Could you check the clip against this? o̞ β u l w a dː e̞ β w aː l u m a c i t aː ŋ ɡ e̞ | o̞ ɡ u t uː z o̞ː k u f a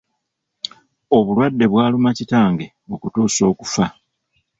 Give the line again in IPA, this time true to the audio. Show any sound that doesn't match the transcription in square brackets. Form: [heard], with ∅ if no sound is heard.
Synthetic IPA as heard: o̞ β u l w a dː e̞ β w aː l u m a c i t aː ŋ ɡ e̞ | o̞ [k] u t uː [s] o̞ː k u f a